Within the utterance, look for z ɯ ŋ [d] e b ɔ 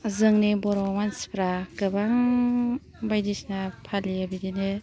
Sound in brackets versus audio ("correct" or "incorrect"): incorrect